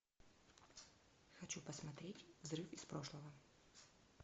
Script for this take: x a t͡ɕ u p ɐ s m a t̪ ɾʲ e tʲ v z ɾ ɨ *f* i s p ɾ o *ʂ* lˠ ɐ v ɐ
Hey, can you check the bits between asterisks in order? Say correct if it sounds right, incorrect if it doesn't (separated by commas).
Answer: correct, correct